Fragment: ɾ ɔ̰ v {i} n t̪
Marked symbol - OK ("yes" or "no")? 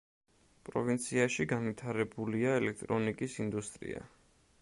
yes